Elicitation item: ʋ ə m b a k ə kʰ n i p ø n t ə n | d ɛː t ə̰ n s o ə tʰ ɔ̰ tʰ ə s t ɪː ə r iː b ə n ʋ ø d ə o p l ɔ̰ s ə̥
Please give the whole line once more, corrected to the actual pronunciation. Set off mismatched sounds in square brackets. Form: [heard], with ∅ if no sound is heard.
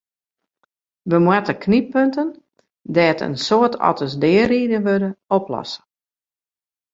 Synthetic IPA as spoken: ʋ ə m [w] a [t] ə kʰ n i p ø n t ə n | d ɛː t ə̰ n s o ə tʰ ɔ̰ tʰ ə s [d] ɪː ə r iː [d] ə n ʋ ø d ə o p l ɔ̰ s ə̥